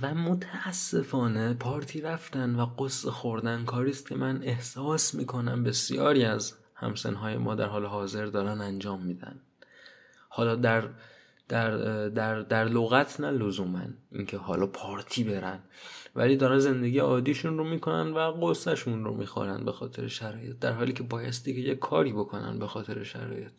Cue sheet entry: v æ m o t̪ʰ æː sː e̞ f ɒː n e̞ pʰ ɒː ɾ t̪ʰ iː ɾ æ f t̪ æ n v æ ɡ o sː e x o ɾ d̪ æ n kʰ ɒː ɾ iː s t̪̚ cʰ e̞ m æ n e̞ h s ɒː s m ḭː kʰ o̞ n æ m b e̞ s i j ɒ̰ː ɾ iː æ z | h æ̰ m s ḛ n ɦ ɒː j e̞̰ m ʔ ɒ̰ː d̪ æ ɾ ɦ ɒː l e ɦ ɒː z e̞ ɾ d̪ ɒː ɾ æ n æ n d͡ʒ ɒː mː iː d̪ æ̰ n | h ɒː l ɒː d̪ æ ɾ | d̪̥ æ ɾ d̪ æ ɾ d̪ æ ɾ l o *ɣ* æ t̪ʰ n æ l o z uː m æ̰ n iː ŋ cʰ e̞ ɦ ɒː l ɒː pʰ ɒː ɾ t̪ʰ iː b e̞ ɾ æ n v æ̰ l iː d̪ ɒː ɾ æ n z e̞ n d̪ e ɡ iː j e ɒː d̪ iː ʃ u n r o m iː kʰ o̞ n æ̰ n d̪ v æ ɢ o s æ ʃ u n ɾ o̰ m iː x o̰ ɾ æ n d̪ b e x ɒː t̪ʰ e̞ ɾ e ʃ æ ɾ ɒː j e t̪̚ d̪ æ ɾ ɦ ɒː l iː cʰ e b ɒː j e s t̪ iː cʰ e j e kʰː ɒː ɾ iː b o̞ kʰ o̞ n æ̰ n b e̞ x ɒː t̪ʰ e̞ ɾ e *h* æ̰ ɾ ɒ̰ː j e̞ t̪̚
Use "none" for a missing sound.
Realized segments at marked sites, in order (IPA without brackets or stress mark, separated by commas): ɣ, ʃ